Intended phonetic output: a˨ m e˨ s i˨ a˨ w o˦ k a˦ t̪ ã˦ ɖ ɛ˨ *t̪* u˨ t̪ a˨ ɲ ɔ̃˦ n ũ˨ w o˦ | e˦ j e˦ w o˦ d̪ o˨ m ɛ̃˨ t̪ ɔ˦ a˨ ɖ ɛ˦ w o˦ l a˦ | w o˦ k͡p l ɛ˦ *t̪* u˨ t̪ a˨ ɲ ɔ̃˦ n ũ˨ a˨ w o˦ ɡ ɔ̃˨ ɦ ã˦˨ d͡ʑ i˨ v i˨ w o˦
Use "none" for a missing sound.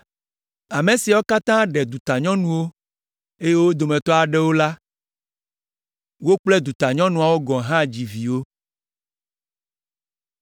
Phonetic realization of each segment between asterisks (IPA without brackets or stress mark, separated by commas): d̪, d̪